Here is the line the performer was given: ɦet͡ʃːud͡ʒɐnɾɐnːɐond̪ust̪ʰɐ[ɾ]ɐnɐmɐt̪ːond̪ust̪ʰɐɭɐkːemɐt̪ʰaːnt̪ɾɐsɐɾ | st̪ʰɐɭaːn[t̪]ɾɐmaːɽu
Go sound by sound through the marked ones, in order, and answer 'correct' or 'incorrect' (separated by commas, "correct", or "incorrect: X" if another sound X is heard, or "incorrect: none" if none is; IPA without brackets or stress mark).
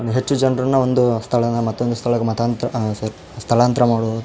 incorrect: ɭ, correct